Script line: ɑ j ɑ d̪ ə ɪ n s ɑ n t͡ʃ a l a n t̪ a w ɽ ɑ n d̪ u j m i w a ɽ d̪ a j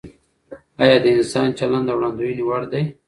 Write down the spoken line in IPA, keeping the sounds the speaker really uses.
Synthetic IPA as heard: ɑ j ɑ d̪ ə ɪ n s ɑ n t͡ʃ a l a n d̪ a w ɽ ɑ n d̪ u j n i w a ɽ d̪ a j